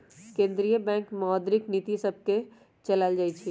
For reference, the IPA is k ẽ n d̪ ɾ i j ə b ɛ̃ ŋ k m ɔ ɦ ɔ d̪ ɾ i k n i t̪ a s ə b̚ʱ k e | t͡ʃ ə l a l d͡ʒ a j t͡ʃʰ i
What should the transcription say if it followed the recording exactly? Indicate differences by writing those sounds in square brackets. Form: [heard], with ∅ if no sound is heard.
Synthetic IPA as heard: k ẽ n d̪ ɾ i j ə b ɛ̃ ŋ k m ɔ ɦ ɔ d̪ ɾ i k n i t̪ [i] s ə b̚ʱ k e | t͡ʃ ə l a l d͡ʒ a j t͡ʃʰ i